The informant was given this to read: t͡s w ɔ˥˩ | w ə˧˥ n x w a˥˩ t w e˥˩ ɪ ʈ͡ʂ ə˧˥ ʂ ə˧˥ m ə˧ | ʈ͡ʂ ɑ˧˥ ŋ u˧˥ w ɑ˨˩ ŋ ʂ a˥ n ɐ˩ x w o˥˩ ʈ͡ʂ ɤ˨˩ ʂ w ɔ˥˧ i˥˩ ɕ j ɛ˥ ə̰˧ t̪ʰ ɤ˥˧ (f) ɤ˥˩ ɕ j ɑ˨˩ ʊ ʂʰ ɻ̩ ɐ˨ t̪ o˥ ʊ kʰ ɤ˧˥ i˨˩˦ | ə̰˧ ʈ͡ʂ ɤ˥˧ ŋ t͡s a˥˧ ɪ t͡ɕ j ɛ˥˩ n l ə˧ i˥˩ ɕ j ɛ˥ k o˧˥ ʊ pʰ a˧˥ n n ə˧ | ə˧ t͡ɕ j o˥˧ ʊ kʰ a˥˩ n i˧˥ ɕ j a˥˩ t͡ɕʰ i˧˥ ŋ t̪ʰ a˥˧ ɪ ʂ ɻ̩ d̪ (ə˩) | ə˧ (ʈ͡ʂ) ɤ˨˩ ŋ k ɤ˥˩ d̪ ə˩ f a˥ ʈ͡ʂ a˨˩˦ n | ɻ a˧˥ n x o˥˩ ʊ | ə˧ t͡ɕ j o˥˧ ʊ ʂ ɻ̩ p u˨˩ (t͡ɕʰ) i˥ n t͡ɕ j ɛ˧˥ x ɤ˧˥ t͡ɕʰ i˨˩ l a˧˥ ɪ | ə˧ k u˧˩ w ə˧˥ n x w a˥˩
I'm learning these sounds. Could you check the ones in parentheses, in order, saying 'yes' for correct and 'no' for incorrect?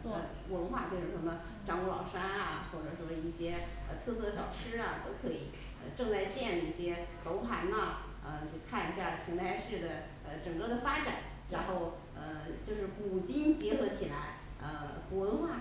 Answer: no, yes, yes, no

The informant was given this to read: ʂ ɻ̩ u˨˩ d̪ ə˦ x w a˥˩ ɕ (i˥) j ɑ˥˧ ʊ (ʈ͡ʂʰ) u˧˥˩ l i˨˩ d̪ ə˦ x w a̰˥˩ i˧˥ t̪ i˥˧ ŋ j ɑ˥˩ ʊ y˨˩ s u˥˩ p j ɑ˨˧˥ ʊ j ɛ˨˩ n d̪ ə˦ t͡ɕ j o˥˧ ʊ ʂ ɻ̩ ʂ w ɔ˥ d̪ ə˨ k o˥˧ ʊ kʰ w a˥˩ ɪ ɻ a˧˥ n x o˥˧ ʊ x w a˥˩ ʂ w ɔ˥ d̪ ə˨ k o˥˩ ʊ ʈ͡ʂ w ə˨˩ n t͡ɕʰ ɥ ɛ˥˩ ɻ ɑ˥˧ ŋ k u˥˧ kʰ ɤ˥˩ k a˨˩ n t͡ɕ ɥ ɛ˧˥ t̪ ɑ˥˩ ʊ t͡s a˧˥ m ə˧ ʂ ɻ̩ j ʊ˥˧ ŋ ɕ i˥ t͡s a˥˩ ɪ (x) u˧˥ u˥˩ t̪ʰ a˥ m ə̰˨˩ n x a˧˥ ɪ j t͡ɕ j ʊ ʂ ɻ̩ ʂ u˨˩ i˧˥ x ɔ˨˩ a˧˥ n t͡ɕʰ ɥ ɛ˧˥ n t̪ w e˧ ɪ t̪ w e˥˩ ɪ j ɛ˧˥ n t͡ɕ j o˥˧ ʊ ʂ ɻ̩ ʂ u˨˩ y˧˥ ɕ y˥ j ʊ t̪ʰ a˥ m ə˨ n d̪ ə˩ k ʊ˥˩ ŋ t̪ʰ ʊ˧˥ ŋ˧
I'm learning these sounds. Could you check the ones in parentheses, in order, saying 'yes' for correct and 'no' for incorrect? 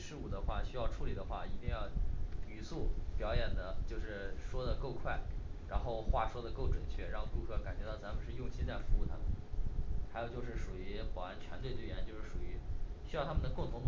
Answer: no, yes, no

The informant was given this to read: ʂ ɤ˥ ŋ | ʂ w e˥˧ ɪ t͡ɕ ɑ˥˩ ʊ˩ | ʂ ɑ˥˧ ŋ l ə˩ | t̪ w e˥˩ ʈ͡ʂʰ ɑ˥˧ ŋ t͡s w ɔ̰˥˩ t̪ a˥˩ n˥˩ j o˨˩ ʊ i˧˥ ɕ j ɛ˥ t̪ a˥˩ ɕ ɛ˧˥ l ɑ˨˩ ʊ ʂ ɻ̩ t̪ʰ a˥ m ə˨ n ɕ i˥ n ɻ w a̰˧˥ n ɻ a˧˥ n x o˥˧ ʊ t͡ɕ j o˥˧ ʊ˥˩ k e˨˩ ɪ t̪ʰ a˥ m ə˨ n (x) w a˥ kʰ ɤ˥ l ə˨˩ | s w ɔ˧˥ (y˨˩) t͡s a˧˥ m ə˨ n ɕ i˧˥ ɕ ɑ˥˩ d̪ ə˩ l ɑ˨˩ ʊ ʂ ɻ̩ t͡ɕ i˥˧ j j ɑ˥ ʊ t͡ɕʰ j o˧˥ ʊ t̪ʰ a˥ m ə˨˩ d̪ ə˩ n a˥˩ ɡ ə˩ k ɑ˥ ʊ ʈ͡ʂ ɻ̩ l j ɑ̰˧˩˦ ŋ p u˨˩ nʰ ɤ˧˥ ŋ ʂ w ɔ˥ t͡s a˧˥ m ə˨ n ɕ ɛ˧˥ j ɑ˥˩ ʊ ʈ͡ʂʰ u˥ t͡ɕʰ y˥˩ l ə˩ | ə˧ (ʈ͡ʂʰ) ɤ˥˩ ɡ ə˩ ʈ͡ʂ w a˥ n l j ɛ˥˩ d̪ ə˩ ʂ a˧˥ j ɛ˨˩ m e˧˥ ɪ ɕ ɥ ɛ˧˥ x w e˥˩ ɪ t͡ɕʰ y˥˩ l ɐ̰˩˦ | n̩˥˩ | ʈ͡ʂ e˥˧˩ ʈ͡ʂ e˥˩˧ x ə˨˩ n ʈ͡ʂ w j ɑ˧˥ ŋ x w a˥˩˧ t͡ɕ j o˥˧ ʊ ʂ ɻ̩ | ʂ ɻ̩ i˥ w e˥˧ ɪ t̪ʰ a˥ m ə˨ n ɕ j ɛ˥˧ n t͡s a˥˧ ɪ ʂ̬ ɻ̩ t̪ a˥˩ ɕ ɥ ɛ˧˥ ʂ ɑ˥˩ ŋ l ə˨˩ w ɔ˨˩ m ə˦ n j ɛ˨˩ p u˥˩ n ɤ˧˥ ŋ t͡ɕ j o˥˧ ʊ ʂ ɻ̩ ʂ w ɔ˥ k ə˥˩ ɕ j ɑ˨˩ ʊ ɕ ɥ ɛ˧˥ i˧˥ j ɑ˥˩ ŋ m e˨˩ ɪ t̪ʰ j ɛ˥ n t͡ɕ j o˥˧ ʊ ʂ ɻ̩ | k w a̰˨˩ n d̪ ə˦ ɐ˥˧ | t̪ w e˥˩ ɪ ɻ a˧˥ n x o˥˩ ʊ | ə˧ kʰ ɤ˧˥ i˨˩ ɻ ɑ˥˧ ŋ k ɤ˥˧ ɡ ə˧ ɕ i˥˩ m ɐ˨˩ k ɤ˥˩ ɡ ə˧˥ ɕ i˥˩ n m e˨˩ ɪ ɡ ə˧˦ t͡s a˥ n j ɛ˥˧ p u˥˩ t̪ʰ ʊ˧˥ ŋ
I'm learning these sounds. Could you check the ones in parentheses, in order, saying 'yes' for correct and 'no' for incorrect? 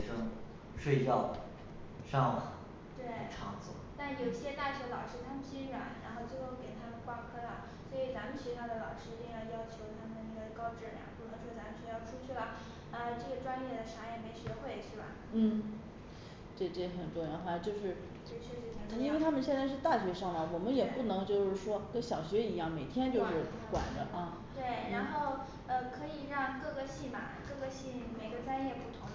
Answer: no, no, no

